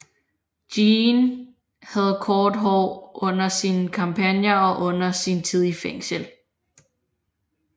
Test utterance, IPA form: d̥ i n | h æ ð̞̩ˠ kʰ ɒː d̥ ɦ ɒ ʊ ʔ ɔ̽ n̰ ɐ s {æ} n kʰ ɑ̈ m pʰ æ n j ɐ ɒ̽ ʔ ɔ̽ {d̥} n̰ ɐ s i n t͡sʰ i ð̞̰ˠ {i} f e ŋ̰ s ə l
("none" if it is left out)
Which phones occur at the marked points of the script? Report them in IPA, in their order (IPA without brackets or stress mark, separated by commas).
i, none, i